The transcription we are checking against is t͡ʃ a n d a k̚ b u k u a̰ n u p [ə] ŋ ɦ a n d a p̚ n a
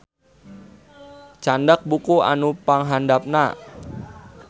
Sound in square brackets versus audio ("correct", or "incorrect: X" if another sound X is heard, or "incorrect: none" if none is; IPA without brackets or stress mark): incorrect: a